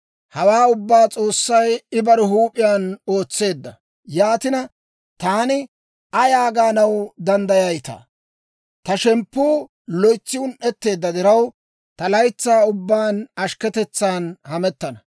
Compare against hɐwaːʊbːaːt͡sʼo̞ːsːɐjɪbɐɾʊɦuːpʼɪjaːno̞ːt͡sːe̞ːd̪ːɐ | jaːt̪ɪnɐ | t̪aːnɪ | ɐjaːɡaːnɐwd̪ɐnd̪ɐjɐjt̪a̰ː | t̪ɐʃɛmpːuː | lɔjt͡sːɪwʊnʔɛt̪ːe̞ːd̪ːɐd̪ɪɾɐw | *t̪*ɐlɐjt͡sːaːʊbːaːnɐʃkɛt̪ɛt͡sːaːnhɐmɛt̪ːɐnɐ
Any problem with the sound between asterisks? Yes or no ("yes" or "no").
no